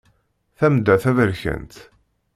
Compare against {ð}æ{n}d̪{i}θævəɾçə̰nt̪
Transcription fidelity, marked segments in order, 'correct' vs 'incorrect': incorrect, incorrect, incorrect

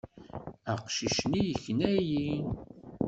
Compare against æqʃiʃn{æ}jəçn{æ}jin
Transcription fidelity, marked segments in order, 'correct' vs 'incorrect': incorrect, correct

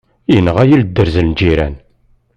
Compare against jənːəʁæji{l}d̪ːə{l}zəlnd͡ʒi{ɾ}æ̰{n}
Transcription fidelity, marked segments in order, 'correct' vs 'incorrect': correct, incorrect, correct, correct

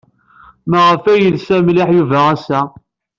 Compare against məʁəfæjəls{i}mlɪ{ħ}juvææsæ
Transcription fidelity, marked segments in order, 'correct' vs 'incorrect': incorrect, correct

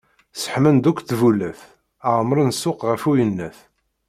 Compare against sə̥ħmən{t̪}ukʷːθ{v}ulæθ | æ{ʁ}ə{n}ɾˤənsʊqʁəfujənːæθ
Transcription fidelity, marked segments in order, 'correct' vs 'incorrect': incorrect, correct, correct, incorrect

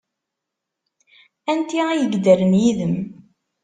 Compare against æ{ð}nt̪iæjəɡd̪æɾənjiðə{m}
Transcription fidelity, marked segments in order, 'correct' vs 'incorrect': incorrect, correct

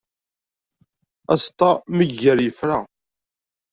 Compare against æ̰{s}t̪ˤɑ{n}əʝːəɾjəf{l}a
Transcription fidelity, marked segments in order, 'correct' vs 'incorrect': correct, incorrect, incorrect

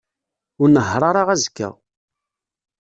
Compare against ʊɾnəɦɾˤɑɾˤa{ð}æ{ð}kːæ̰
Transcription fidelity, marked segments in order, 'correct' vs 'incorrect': incorrect, incorrect

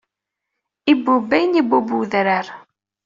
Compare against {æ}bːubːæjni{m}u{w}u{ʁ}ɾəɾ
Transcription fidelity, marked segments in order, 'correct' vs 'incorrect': incorrect, incorrect, incorrect, incorrect

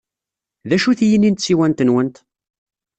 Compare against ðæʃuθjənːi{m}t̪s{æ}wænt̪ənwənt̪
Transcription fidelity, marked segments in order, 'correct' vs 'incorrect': incorrect, incorrect

